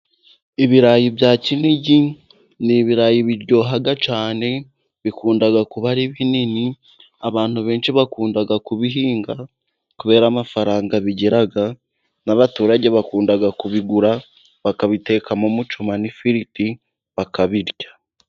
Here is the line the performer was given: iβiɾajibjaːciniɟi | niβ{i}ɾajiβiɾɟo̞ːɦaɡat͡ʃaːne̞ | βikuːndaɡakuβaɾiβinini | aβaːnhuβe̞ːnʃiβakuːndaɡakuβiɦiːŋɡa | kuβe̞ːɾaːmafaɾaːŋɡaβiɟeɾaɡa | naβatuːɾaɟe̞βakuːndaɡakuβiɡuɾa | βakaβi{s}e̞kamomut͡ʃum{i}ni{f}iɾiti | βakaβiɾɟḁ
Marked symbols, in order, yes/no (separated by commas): yes, no, no, yes